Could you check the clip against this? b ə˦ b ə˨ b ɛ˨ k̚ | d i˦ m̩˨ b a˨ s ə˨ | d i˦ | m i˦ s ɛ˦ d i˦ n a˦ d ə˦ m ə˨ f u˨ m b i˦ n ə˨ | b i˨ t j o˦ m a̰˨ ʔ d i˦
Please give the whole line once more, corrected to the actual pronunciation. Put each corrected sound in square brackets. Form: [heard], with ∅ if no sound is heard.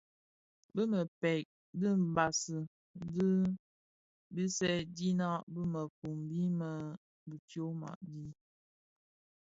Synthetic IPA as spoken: b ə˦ [m] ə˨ [p] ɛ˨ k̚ | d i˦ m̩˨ b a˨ s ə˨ | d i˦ | [b] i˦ s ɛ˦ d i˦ n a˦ [b] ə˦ m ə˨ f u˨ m b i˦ [m] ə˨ | b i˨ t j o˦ m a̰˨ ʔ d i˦